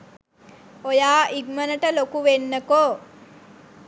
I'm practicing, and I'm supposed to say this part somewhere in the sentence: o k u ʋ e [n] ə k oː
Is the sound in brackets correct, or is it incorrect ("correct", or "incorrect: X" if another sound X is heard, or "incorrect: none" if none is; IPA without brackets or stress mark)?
incorrect: nː